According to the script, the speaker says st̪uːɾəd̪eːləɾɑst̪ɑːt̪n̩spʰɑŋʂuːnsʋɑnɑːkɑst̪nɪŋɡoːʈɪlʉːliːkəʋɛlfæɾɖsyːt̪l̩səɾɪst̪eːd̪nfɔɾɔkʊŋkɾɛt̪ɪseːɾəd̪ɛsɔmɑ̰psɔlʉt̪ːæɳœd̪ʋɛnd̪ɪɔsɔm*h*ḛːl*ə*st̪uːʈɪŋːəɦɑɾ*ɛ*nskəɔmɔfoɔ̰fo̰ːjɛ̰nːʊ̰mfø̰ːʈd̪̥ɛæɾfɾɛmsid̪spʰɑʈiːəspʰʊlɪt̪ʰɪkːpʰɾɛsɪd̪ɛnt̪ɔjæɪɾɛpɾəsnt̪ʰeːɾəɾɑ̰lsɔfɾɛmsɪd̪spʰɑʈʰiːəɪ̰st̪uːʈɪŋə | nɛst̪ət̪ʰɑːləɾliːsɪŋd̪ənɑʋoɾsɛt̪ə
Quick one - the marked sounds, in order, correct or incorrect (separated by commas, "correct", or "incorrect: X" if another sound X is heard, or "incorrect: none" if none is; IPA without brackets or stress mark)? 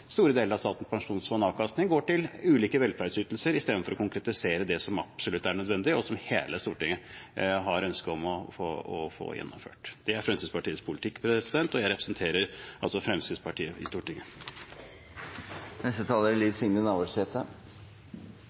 correct, correct, incorrect: œ